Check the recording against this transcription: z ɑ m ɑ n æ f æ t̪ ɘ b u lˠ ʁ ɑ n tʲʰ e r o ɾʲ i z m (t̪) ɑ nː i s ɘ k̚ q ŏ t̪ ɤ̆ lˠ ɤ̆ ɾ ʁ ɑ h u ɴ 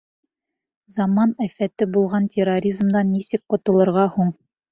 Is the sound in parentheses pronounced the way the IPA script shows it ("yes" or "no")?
no